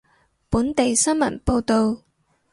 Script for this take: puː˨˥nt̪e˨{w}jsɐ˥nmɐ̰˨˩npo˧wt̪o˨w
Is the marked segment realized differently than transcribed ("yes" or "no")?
yes